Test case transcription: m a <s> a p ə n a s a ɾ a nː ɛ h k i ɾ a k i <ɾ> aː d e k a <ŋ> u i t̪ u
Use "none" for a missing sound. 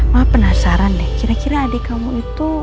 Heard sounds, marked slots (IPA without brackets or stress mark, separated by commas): none, ɾ, m